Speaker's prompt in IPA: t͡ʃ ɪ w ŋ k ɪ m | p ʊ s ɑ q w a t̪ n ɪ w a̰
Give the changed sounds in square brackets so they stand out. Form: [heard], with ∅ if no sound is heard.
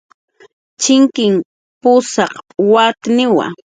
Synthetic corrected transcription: t͡ʃ ɪ [∅] ŋ k ɪ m | p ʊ s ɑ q w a t̪ n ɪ w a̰